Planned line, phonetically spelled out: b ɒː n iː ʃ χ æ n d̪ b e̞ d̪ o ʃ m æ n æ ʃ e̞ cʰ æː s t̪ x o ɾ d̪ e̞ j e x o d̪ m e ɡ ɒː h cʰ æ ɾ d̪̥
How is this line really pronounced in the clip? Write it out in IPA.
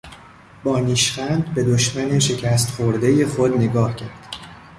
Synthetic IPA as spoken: b ɒː n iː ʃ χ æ n d̪ b e̞ d̪ o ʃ m æ n e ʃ e̞ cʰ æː s t̪ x o ɾ d̪ e̞ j e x o d̪ n e ɡ ɒː h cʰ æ ɾ d̪̥

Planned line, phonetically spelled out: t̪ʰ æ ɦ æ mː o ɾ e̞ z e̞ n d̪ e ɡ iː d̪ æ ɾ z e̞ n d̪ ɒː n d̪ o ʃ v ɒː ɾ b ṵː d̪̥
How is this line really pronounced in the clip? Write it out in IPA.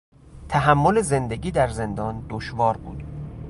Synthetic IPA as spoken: t̪ʰ æ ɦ æ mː o l e̞ z e̞ n d̪ e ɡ iː d̪ æ ɾ z e̞ n d̪ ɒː n d̪ o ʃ v ɒː ɾ b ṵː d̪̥

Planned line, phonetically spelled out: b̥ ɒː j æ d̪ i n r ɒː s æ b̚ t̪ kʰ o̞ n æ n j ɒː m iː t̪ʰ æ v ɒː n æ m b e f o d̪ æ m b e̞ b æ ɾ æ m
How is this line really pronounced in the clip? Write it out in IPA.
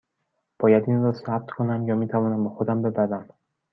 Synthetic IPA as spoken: b̥ ɒː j æ d̪ i n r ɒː s æ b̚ t̪ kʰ o̞ n æ m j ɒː m iː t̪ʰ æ v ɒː n æ m b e x o d̪ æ m b e̞ b æ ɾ æ m

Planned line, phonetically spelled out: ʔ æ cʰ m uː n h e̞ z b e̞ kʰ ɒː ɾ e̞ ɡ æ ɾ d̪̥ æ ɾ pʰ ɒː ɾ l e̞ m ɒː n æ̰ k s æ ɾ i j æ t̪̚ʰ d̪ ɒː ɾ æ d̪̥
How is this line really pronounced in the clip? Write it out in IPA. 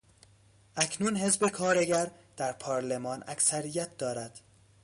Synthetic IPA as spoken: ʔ æ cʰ n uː n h e̞ z b e̞ kʰ ɒː ɾ e̞ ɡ æ ɾ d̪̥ æ ɾ pʰ ɒː ɾ l e̞ m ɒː n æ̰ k s æ ɾ i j æ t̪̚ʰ d̪ ɒː ɾ æ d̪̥

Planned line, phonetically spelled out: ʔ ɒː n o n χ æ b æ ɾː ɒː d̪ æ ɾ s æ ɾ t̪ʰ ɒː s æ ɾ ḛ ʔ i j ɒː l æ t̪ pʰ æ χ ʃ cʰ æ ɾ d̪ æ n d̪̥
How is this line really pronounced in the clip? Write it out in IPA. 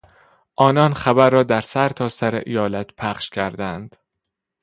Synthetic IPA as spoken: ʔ ɒː n ɒ n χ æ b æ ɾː ɒː d̪ æ ɾ s æ ɾ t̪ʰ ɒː s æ ɾ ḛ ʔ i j ɒː l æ t̪ pʰ æ χ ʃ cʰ æ ɾ d̪ æ n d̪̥

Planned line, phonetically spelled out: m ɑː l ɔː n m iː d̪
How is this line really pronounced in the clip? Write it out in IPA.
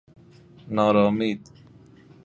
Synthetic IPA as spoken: n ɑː ɾ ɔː m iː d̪

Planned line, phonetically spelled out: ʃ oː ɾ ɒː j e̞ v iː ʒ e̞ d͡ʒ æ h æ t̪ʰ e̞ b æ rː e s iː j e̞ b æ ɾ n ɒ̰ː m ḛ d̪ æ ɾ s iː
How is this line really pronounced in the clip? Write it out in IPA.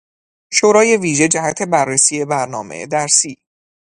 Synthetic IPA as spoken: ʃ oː ɾ ɒː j e̞ v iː ʒ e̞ d͡ʒ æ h æ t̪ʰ e̞ b æ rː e s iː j e̞ b æ ɾ n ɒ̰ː m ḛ d̪ æ ɾ s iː

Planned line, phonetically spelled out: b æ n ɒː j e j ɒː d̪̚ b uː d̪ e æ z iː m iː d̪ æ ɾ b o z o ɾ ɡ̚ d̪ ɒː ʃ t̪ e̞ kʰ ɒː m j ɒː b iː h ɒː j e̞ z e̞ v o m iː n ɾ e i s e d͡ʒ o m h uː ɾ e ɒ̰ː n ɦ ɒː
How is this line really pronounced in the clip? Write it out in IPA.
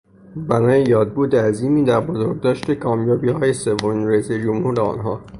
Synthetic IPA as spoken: b æ n ɒː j e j ɒː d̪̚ b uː d̪ e æ z iː m iː d̪ æ ɾ b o z o ɾ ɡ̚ d̪ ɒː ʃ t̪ e̞ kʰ ɒː m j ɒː b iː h ɒː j e̞ s e̞ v o m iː n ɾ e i s e d͡ʒ o m h uː ɾ e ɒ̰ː n ɦ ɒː

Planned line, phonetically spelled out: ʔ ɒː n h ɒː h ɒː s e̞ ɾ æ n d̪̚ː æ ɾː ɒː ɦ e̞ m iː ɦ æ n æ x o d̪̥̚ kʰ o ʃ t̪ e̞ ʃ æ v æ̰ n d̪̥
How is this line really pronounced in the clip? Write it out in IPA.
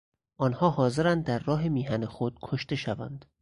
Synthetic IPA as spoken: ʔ ɒː n h ɒː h ɒː z e̞ ɾ æ n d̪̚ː æ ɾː ɒː ɦ e̞ m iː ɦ æ n e x o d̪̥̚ kʰ o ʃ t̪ e̞ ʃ æ v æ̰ n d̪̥

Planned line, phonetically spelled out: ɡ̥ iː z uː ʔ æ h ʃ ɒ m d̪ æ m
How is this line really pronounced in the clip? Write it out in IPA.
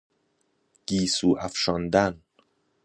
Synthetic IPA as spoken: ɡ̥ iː s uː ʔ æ f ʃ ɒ n d̪ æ n

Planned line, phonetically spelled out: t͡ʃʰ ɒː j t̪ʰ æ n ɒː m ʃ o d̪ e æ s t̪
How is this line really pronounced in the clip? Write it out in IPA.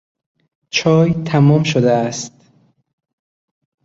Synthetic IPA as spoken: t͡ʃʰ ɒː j t̪ʰ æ m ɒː m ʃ o d̪ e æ s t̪

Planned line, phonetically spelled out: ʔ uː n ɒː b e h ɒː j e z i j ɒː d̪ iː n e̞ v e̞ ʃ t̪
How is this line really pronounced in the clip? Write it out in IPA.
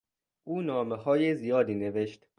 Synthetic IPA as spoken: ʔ uː n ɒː m e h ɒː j e z i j ɒː d̪ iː n e̞ v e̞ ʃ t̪

